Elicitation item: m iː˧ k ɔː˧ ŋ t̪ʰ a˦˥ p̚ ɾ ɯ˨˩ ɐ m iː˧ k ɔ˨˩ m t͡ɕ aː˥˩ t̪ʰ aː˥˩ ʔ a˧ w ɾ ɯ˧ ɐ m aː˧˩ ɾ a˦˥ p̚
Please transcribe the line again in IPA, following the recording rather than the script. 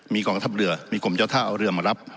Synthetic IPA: m iː˧ k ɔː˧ ŋ t̪ʰ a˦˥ p̚ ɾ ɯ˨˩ ɐ m iː˧ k o˨˩ m t͡ɕ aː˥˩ t̪ʰ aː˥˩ ʔ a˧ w ɾ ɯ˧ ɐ m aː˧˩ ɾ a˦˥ p̚